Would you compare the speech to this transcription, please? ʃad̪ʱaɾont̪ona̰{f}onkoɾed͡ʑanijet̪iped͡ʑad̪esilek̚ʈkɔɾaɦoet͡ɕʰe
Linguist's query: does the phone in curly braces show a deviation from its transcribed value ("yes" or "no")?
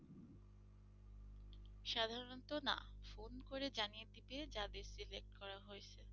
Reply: no